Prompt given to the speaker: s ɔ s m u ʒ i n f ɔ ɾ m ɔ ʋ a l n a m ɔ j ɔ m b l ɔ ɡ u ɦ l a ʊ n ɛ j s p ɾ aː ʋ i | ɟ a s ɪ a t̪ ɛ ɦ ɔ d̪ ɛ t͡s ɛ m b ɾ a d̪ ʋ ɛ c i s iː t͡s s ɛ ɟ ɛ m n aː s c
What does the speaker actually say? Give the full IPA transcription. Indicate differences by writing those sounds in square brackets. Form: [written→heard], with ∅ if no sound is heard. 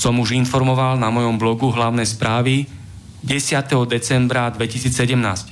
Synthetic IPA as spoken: s ɔ [s→∅] m u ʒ i n f ɔ ɾ m ɔ ʋ a l n a m ɔ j ɔ m b l ɔ ɡ u ɦ l a ʊ n ɛ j s p ɾ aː ʋ i | ɟ [a→ɛ] s ɪ a t̪ ɛ ɦ ɔ d̪ ɛ t͡s ɛ m b ɾ a d̪ ʋ ɛ c i s iː t͡s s ɛ ɟ ɛ m n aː s c